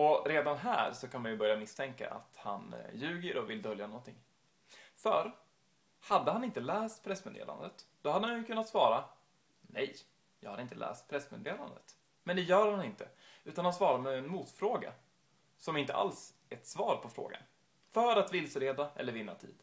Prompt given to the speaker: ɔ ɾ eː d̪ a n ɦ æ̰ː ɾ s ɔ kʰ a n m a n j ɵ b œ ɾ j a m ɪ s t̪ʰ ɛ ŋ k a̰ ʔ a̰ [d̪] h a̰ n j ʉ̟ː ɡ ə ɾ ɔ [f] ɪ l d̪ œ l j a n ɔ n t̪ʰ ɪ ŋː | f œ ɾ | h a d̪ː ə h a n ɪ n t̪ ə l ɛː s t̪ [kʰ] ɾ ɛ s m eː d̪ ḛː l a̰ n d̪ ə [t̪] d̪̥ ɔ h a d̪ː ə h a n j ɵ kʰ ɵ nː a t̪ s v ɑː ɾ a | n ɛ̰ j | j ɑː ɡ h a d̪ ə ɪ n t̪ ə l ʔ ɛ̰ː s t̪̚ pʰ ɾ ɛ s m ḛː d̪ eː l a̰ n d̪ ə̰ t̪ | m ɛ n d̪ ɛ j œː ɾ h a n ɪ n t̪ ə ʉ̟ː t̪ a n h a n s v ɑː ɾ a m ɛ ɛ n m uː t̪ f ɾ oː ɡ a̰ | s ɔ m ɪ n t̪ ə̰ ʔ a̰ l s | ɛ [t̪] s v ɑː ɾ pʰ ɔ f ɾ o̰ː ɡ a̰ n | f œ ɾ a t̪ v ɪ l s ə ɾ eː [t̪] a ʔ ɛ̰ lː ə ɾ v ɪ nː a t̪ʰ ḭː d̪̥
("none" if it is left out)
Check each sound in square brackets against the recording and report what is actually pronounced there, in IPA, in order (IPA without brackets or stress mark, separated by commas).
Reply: t̪, v, pʰ, t̪, t̪, d̪